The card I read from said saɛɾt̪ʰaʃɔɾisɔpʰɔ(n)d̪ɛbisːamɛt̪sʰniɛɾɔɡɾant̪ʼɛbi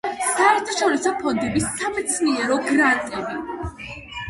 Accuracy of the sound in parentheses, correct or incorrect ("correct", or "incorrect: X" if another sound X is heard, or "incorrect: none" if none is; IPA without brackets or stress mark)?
correct